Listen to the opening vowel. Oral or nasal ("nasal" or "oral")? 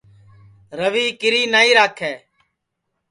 oral